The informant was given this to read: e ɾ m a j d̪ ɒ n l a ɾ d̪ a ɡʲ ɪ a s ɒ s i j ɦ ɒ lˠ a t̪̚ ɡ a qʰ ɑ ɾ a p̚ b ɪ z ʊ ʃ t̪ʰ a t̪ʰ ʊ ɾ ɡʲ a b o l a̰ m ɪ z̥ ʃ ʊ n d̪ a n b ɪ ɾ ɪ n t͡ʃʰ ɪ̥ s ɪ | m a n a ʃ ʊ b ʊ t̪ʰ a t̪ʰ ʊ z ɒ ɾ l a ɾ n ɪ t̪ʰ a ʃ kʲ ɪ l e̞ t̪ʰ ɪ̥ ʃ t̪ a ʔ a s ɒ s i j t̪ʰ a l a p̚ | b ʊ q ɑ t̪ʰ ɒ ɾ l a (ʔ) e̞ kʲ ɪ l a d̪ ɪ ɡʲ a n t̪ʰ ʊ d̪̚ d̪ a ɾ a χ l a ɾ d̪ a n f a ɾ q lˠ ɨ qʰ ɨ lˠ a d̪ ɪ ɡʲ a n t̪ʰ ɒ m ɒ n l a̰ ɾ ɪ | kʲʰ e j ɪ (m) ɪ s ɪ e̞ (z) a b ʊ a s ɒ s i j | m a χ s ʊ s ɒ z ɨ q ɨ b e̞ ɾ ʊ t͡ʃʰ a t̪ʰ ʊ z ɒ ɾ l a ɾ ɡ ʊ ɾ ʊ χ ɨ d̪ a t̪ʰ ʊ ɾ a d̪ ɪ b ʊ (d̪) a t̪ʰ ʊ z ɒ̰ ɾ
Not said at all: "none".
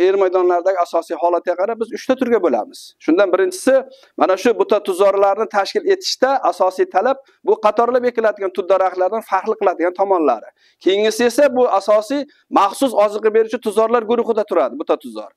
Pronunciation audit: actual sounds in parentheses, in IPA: p, ŋ, s, t̪

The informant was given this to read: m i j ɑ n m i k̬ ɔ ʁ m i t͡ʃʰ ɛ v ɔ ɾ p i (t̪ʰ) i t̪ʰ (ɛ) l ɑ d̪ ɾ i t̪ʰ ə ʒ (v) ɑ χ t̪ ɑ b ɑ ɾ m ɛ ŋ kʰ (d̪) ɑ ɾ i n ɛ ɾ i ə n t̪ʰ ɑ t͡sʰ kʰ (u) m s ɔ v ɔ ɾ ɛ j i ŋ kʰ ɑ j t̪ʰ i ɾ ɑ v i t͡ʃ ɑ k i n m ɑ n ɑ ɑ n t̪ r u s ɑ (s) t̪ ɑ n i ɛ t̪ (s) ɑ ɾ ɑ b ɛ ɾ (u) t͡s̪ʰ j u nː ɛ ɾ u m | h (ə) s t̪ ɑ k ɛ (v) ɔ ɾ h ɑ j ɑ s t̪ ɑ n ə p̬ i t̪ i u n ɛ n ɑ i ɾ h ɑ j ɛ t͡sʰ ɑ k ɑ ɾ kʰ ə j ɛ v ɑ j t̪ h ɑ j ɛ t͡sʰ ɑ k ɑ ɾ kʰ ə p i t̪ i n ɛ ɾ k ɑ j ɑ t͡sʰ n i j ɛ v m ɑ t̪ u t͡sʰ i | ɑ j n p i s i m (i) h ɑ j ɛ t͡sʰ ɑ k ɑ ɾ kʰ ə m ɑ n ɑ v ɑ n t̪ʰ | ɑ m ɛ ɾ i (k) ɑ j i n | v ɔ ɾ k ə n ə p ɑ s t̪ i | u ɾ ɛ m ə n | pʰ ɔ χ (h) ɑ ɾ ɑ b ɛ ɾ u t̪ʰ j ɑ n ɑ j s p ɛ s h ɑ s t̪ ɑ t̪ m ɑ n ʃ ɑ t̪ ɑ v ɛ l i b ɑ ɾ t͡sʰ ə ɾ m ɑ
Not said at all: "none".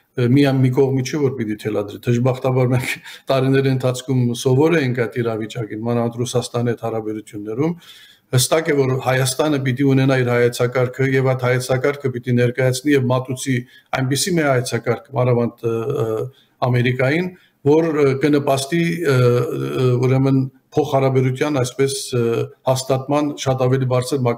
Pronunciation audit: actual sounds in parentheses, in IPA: t̪, ɛ, b, t̪, u, s, h, u, ə, v, ɛ, k, h

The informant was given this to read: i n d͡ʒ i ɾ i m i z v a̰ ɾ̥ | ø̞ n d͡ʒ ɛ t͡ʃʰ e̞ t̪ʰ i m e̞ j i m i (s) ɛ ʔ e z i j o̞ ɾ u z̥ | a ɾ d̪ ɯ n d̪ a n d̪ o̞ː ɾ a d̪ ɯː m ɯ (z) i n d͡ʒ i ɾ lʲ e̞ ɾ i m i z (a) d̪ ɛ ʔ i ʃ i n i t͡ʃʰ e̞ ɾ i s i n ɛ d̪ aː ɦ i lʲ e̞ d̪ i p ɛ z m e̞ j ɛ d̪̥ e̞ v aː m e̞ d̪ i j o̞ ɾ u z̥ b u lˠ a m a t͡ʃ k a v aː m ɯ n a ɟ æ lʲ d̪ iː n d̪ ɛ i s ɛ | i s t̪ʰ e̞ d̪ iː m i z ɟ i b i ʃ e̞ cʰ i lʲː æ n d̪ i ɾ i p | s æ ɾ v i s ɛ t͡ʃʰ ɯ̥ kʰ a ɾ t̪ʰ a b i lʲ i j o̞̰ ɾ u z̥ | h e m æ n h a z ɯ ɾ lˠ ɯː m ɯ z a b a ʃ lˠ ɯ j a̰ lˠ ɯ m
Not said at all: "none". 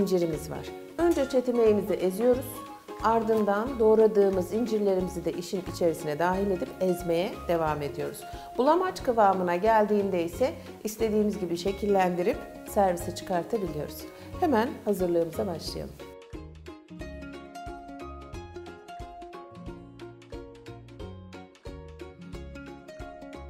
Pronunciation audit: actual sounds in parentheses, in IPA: z, z, i

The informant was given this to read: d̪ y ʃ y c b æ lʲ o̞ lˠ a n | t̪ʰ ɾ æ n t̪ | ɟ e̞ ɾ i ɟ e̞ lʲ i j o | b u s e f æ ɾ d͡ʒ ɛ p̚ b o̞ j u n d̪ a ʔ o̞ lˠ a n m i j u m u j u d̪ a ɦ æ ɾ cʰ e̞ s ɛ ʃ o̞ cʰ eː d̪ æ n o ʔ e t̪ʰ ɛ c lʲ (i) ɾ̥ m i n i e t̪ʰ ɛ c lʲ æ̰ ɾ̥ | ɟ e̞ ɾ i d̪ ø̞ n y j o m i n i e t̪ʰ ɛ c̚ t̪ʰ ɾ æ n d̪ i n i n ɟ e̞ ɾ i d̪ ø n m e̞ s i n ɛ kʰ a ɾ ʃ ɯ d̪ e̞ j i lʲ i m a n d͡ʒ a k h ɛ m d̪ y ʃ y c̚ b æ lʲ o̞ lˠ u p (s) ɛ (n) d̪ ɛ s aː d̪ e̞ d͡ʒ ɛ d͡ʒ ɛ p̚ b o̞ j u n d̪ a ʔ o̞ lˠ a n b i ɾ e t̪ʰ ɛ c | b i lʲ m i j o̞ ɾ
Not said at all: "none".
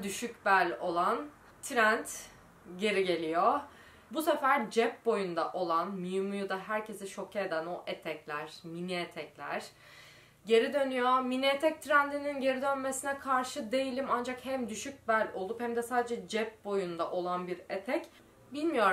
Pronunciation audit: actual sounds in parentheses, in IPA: æ, h, m

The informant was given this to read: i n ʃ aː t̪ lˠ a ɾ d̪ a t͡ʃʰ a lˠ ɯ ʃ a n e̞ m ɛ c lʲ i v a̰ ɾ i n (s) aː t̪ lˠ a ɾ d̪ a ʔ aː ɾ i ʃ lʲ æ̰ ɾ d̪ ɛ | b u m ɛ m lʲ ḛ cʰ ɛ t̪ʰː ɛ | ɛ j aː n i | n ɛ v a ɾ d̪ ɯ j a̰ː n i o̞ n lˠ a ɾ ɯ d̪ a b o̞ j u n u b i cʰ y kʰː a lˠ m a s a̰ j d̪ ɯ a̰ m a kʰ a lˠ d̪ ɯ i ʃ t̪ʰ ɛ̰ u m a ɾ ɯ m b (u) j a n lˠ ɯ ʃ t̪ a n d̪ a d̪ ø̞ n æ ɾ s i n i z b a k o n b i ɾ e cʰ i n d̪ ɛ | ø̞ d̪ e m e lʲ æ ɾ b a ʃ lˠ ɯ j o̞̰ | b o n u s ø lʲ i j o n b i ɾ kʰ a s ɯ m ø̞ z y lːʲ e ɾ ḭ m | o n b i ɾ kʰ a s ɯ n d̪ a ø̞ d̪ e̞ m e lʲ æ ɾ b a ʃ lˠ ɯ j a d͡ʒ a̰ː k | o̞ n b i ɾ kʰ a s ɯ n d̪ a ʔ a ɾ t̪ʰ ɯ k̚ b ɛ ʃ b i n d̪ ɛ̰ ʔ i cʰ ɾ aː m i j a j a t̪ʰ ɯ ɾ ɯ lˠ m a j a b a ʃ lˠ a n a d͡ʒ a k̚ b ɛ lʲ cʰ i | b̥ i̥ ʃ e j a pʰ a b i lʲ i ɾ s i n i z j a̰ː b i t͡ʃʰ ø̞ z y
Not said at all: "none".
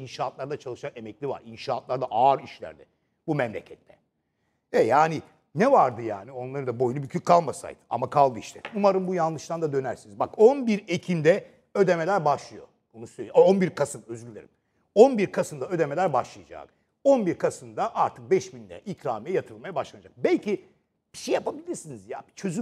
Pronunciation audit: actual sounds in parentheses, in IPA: ʃ, u

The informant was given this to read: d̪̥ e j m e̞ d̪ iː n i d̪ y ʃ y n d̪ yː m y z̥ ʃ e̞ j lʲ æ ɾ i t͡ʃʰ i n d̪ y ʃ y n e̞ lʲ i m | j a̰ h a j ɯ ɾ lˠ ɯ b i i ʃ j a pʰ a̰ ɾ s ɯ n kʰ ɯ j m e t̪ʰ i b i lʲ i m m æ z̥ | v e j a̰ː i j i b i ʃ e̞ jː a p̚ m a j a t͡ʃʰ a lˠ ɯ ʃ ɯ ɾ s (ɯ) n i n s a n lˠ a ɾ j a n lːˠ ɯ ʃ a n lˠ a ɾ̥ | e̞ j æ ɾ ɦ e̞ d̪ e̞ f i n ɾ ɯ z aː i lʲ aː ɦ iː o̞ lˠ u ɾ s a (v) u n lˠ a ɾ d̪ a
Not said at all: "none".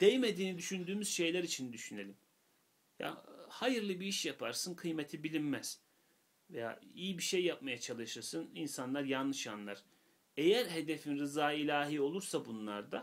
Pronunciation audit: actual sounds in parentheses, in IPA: ɯ, b

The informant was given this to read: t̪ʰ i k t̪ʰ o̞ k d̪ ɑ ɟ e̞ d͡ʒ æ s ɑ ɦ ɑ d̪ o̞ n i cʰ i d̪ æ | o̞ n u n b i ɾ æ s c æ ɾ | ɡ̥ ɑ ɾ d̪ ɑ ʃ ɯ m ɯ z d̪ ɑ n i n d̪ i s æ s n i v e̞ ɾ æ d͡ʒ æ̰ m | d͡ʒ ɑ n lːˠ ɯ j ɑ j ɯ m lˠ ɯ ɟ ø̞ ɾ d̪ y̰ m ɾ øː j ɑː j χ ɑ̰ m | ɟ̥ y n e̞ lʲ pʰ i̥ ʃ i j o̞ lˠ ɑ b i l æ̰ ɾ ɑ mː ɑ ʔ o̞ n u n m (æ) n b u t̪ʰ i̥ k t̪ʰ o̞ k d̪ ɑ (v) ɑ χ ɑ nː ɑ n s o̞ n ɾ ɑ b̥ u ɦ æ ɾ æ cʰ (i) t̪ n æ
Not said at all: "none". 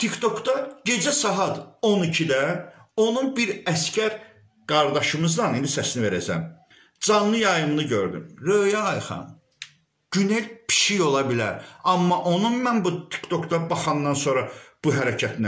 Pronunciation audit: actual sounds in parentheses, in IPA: æ, b, æ

